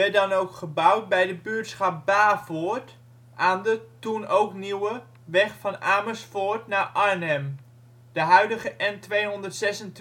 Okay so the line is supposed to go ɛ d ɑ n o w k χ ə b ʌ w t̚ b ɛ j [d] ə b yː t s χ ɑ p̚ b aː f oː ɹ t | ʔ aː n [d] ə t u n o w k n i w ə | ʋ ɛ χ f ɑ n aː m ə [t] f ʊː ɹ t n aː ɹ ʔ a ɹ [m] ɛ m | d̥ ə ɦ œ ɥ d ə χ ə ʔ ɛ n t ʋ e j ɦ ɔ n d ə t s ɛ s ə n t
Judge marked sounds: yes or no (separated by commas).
yes, yes, no, no